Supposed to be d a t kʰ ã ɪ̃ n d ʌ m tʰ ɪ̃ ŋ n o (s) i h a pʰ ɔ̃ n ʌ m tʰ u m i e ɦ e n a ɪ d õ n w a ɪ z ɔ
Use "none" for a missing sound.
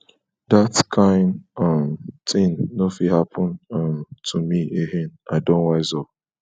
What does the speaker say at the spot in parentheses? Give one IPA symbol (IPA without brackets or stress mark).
f